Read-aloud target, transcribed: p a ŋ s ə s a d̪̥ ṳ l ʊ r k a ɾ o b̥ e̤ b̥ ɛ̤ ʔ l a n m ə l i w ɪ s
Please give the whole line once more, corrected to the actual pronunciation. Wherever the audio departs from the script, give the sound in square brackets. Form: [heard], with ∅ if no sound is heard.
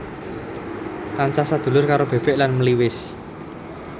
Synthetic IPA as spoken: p a [n] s [a] s a d̪̥ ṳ l ʊ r k a ɾ o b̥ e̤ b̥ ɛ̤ ʔ l a n m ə l i w ɪ s